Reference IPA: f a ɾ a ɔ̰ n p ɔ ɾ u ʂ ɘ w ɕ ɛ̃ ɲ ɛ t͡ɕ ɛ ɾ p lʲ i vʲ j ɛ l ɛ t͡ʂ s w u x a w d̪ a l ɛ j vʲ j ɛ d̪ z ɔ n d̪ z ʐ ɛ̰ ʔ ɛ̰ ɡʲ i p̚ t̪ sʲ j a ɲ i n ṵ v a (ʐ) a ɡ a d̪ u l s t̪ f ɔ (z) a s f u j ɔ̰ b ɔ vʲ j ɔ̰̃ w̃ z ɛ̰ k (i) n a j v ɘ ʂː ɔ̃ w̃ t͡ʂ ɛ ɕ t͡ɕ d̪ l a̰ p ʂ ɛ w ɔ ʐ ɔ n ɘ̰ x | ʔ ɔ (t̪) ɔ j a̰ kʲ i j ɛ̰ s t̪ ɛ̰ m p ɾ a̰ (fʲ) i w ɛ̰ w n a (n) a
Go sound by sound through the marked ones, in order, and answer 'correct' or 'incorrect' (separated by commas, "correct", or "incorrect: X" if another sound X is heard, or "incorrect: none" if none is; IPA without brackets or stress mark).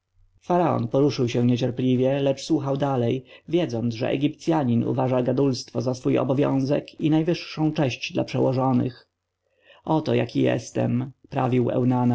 correct, correct, correct, correct, incorrect: vʲ, correct